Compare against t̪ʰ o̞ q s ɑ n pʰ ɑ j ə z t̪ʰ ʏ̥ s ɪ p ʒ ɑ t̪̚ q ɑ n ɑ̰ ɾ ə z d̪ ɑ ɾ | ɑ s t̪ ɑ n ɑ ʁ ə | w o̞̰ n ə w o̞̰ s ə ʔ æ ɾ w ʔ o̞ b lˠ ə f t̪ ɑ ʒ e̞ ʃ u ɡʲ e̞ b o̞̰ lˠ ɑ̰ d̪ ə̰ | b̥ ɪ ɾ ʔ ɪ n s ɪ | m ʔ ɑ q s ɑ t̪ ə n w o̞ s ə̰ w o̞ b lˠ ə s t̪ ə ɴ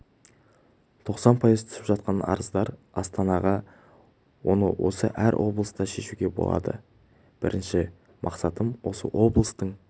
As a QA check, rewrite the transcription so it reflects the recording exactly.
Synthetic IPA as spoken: t̪ʰ o̞ q s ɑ n pʰ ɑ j ə z t̪ʰ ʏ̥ s ɪ p ʒ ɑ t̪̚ q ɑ n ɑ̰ ɾ ə z d̪ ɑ ɾ | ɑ s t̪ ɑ n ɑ ʁ ɑ | w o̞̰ n ə w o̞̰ s ə ʔ æ ɾ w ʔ o̞ b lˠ ə s t̪ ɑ ʃ e̞ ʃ u ɡʲ e̞ b o̞̰ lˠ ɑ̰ d̪ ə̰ | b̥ ɪ ɾ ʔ ɪ n ʃ ɪ | m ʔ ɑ q s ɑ t̪ ə m w o̞ s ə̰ w o̞ b lˠ ə s t̪ ə ɴ